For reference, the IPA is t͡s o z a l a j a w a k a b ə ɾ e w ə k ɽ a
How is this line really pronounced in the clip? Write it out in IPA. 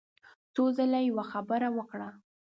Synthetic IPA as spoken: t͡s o z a l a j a w a x a b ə ɾ a w ə k ɽ a